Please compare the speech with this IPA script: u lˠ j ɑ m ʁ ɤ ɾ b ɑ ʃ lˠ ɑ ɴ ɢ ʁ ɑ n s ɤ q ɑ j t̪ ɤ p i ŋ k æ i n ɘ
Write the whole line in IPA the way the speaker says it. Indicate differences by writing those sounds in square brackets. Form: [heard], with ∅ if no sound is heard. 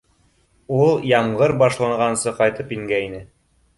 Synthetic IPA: u lˠ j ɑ m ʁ ɤ ɾ b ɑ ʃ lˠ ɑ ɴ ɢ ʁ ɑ n s ɤ q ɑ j t̪ ɤ p i ŋ [ɡ] æ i n ɘ